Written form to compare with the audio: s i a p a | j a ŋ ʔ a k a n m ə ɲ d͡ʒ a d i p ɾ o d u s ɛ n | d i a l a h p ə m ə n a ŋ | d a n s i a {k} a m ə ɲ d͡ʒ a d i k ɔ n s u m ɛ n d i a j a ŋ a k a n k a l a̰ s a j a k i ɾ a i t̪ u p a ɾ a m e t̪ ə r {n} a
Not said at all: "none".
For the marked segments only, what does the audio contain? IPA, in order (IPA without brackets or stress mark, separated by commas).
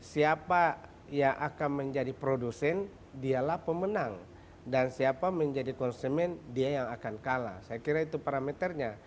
p, ɲ